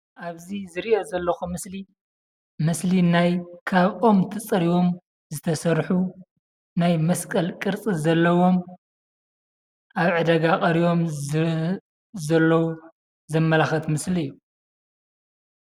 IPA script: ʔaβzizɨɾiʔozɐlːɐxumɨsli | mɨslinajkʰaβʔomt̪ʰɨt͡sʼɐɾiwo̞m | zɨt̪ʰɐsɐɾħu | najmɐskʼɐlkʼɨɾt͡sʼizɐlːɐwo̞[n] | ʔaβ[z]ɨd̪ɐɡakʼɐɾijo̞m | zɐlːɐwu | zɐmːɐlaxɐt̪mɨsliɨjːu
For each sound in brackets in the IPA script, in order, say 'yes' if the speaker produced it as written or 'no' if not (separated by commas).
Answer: no, no